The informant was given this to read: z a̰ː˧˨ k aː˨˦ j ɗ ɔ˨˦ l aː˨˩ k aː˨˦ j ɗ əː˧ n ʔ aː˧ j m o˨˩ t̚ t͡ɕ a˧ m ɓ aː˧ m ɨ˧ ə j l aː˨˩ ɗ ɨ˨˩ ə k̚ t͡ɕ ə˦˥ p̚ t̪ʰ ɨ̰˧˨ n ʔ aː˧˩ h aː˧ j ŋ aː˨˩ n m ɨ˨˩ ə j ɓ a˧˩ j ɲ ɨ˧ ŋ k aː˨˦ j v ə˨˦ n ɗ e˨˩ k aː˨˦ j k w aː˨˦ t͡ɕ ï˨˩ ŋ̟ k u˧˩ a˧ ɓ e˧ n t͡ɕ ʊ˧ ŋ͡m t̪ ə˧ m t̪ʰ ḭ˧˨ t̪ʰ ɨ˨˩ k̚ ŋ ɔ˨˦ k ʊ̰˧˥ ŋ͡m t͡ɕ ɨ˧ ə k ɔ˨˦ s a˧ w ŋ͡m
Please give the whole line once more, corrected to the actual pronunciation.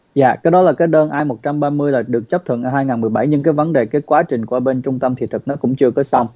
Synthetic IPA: z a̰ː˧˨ k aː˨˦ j ɗ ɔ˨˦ l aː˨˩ k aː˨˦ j ɗ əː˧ n ʔ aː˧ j m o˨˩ t̚ t͡ɕ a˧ m ɓ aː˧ m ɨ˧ ə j l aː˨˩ ɗ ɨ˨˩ ə k̚ t͡ɕ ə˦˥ p̚ t̪ʰ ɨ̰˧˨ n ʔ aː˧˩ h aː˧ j ŋ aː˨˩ n m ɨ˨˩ ə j ɓ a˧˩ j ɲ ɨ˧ ŋ k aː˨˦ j v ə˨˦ n ɗ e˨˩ k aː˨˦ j k w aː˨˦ t͡ɕ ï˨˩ ŋ̟ k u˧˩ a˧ ɓ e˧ n t͡ɕ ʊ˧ ŋ͡m t̪ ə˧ m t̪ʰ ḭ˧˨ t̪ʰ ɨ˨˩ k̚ n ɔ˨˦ k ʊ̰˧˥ ŋ͡m t͡ɕ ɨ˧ ə k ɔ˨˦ s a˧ w ŋ͡m